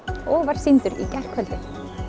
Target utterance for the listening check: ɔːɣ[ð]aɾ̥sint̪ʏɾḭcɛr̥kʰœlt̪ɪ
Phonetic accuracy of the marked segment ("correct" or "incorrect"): incorrect